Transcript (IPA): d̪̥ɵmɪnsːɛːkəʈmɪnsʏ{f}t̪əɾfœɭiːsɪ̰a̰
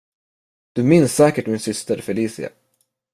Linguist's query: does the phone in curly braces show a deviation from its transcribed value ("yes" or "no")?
yes